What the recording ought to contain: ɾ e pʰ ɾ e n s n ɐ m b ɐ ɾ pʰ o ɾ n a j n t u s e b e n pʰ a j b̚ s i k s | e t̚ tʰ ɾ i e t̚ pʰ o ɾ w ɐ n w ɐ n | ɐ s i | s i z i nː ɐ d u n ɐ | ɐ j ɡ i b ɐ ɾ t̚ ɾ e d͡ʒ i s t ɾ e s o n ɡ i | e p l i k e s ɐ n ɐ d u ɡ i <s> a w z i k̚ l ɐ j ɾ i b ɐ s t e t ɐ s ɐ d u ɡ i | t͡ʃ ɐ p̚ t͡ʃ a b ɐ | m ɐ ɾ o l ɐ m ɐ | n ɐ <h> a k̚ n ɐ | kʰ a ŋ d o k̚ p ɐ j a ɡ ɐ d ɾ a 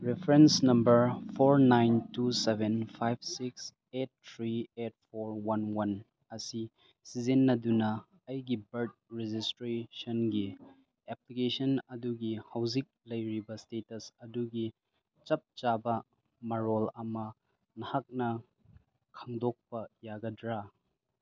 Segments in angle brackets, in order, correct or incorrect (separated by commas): incorrect, correct